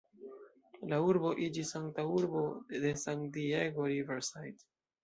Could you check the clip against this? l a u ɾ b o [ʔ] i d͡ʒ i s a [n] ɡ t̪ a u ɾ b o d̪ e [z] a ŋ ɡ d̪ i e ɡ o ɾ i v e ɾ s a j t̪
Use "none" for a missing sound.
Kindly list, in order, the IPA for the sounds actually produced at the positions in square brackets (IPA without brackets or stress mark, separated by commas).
ʔ, ŋ, s